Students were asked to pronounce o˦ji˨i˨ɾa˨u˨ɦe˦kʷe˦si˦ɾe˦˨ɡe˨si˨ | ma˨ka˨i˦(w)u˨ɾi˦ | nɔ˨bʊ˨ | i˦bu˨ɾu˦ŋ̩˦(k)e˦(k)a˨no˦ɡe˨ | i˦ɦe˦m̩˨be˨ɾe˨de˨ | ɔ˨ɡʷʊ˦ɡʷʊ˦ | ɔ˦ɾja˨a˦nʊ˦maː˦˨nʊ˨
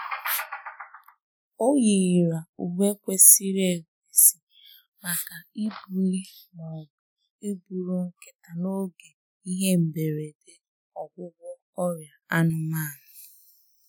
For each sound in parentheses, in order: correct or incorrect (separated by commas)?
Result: incorrect, correct, incorrect